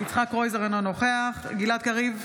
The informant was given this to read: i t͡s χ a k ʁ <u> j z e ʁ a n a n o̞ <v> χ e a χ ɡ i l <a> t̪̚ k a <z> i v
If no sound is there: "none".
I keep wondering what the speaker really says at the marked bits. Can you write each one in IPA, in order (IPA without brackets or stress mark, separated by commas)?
o, none, a, ʁ